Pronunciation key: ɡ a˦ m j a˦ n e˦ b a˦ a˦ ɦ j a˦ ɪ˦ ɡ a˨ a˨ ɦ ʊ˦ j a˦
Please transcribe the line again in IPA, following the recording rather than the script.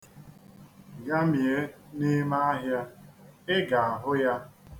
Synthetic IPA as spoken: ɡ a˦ m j e˦ n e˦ m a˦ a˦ ɦ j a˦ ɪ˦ ɡ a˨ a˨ ɦ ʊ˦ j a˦